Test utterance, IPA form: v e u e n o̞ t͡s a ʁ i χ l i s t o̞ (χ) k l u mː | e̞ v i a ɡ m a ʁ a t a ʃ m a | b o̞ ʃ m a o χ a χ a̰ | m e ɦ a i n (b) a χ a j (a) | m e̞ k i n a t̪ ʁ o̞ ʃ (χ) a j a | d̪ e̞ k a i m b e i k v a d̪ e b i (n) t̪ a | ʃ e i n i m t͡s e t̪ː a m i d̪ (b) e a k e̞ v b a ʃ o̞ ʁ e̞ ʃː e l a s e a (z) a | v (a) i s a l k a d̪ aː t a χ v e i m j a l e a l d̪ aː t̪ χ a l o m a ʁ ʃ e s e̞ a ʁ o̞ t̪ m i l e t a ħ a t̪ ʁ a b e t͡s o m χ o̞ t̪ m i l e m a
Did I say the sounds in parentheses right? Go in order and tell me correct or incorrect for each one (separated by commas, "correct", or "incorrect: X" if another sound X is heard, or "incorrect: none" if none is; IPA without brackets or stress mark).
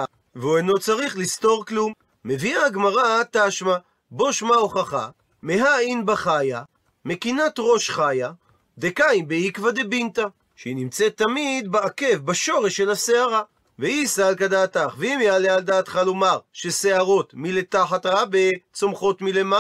incorrect: ʁ, correct, correct, correct, correct, correct, incorrect: ʁ, incorrect: e